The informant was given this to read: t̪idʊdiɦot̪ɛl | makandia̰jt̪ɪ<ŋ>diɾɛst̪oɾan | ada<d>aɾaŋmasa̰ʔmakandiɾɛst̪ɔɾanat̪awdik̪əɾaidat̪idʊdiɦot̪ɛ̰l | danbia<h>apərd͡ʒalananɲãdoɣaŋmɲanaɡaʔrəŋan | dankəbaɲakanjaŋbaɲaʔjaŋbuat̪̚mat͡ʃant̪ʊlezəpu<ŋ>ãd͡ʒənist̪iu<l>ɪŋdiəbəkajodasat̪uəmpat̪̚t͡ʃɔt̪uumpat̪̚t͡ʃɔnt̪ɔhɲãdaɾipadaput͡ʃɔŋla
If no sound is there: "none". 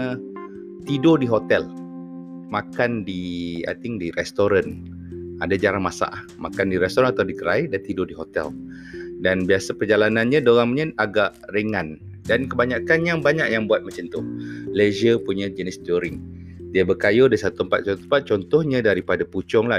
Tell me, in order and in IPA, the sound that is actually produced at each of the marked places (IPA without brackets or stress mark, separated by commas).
ŋ, d͡ʒ, s, ɲ, ɾ